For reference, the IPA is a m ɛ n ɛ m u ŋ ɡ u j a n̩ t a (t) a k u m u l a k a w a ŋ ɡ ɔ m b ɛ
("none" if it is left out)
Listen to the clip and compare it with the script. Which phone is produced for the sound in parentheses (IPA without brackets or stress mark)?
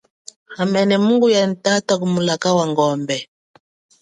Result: t